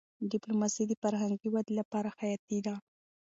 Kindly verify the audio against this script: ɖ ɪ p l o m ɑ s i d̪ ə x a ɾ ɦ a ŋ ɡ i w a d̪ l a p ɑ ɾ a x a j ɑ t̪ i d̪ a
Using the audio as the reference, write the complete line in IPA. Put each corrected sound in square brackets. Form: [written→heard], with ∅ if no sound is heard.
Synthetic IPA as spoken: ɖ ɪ p l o m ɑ s i d̪ ə [x→f] a ɾ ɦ a ŋ ɡ i w a d̪ l a p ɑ ɾ a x a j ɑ t̪ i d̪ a